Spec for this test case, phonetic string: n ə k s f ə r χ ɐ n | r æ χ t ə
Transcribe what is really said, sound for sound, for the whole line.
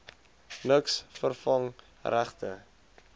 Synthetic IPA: n ə k s f ə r f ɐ ŋ | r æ χ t ə